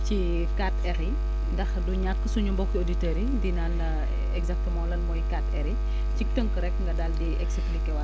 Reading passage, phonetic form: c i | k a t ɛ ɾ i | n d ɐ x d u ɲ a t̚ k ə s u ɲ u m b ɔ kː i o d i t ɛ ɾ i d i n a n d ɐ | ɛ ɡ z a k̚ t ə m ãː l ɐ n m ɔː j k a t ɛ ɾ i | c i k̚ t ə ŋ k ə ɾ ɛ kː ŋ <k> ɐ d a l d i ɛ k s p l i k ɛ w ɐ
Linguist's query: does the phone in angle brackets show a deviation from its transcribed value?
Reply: yes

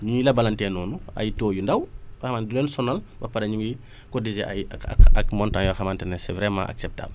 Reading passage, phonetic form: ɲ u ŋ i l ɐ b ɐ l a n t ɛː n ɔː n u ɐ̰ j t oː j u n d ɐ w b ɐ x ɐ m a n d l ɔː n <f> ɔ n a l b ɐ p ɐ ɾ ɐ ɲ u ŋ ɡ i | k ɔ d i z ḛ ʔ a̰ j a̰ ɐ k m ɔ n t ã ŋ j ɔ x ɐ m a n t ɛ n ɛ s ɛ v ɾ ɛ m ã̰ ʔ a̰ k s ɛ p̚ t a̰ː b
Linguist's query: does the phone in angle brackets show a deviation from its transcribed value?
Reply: yes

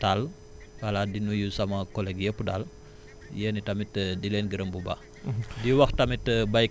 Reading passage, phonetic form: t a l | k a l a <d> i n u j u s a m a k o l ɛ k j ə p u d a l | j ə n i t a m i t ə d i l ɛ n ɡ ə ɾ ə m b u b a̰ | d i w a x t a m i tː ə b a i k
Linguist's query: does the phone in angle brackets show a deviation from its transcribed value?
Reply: no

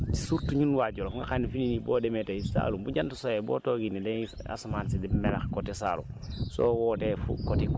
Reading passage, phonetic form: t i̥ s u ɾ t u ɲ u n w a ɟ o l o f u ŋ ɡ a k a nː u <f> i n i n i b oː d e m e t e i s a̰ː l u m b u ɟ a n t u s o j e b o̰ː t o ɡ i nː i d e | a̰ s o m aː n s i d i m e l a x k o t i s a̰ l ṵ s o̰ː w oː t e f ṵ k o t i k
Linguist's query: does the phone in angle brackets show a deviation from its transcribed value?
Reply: no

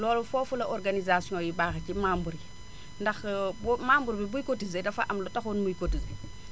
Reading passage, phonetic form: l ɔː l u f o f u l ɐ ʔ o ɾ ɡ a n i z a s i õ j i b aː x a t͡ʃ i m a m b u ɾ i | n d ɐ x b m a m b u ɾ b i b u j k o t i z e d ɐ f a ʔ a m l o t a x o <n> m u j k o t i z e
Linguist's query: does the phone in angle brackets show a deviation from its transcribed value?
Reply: no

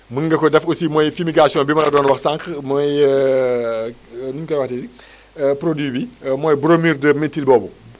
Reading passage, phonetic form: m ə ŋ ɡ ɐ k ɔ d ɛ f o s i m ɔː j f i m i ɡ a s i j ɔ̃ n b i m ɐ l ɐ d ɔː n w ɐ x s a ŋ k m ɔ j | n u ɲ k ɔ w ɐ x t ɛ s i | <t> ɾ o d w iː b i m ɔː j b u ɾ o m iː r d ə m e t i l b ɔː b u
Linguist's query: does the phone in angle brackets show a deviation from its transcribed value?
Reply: yes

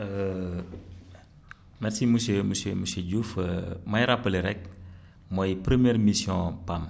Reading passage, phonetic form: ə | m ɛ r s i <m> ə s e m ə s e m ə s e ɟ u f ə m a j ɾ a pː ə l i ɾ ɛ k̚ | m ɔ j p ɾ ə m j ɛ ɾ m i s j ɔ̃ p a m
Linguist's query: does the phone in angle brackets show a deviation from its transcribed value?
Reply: no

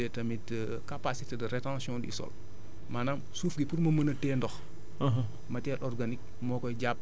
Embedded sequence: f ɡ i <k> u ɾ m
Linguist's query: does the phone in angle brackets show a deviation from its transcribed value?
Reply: yes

